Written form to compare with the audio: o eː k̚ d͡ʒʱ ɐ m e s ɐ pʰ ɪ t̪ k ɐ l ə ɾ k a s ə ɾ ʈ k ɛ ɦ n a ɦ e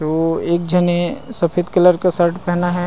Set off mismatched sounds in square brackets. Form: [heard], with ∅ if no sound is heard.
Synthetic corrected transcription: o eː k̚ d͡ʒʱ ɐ [n] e s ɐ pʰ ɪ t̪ k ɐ l ə ɾ k a s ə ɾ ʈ [p] ɛ ɦ n a ɦ [ɛ]

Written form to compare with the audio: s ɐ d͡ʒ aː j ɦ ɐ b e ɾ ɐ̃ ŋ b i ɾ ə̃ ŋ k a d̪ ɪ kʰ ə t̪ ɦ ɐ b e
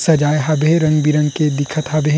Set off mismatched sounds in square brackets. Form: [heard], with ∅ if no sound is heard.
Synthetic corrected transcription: s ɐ d͡ʒ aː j ɦ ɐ b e ɾ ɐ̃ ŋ b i ɾ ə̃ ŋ k [e] d̪ ɪ kʰ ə t̪ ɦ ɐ b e

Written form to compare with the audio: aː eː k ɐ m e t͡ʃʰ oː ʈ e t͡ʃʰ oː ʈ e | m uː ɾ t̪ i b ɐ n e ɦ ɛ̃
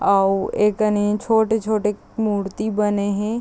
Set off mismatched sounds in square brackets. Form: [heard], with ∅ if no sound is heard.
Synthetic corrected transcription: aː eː k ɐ [n] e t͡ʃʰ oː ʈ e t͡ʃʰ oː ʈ e | m uː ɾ t̪ i b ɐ n e ɦ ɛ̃

